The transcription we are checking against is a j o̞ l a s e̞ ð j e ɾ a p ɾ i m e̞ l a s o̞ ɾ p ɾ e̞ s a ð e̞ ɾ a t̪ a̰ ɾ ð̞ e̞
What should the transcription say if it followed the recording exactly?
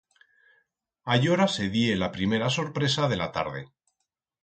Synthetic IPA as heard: a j o̞ ɾ a s e̞ ð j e l a p ɾ i m e̞ ɾ a s o̞ ɾ p ɾ e̞ s a ð e̞ l a t̪ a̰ ɾ ð̞ e̞